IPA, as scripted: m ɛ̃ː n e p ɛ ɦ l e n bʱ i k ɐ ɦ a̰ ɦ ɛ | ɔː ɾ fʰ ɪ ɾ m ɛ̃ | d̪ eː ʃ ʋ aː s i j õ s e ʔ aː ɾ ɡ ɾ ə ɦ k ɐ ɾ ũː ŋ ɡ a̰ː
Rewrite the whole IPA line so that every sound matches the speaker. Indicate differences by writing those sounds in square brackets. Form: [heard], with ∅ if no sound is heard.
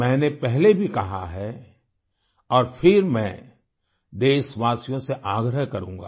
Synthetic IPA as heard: m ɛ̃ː n e p ɛ ɦ l e [∅] bʱ i k ɐ ɦ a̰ ɦ ɛ | ɔː ɾ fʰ ɪ ɾ m ɛ̃ | d̪ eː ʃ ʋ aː s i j õ s e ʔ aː [∅] ɡ ɾ ə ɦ k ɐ ɾ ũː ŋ ɡ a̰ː

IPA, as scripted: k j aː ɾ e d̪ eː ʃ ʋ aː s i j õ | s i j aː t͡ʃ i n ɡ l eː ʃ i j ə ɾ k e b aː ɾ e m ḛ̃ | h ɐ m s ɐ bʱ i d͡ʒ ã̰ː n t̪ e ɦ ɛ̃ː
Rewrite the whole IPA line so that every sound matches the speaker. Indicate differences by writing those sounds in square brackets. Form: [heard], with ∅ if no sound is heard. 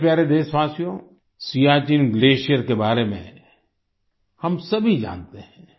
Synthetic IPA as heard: [p] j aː ɾ e d̪ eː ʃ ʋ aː s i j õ | s i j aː t͡ʃ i n ɡ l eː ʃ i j ə ɾ k e b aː ɾ e m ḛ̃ | h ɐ m s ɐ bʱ i d͡ʒ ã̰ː n t̪ e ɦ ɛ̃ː

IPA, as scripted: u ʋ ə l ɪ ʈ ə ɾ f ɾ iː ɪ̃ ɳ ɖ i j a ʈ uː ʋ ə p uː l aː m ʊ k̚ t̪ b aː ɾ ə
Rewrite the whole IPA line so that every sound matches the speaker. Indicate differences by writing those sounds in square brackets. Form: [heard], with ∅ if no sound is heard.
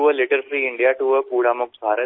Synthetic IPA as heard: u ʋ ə l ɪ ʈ ə ɾ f ɾ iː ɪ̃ ɳ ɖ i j a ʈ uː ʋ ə p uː [ɽ] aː m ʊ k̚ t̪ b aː ɾ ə

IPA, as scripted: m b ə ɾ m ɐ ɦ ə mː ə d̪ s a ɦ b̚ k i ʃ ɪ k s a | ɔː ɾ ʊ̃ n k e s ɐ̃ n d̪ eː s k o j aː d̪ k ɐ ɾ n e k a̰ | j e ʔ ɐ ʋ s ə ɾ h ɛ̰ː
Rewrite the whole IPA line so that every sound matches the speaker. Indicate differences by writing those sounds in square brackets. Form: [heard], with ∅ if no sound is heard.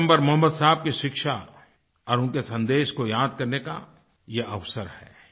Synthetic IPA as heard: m b ə ɾ m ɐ ɦ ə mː ə d̪ s a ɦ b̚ k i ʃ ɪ k [ʃ] a | ɔː ɾ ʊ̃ n k e s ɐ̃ n d̪ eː [ʃ] k o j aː d̪ k ɐ ɾ n e k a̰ | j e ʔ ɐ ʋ s ə ɾ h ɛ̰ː

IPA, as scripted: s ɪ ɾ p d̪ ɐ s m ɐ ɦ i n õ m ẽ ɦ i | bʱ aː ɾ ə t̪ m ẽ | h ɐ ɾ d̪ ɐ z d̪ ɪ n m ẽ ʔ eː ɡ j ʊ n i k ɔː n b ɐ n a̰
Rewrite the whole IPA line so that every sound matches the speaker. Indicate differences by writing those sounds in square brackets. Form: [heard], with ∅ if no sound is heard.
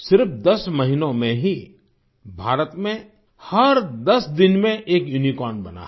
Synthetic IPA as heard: s ɪ ɾ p d̪ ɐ s m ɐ ɦ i n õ m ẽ ɦ i | bʱ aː ɾ ə t̪ m ẽ | h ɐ ɾ d̪ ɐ [s] d̪ ɪ n m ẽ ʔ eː [k] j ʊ n i k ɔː n b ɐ n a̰

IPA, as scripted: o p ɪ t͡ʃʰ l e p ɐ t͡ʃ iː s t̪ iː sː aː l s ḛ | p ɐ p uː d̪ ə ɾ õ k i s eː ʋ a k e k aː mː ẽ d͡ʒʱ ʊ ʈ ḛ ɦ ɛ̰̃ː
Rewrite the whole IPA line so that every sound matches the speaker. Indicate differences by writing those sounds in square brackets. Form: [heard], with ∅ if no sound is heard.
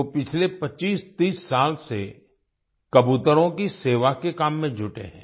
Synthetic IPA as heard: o p ɪ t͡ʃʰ l e p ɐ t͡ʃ iː s t̪ iː sː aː l s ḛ | [k] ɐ [b] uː [t̪] ə ɾ õ k i s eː ʋ a k e k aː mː ẽ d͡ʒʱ ʊ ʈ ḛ ɦ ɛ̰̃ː

